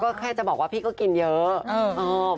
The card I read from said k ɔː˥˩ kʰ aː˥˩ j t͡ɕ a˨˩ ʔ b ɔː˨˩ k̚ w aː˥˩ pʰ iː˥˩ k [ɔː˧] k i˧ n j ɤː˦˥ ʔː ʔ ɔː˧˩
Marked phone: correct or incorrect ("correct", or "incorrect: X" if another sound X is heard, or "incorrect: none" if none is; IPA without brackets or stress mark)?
incorrect: ɔː˥˩